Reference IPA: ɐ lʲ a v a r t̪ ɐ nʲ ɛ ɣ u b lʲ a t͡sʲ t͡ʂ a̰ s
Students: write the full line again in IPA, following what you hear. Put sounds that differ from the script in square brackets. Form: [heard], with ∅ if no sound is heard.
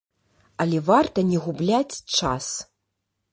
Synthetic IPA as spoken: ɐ lʲ [ɛ] v a r t̪ ɐ nʲ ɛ ɣ u b lʲ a t͡sʲ t͡ʂ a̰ s